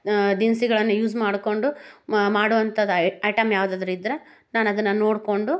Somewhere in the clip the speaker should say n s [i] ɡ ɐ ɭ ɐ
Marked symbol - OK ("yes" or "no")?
yes